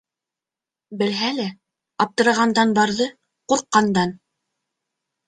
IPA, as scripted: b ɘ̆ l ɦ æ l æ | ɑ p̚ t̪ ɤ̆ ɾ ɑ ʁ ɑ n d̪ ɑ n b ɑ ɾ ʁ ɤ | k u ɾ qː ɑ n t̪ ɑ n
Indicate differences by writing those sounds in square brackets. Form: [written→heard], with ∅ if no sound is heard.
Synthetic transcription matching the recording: b ɘ̆ l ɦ æ l æ | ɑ p̚ t̪ ɤ̆ ɾ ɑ ʁ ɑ n d̪ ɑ n b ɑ ɾ [ʁ→ð] ɤ | [k→q] u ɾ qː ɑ n [t̪→d̪] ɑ n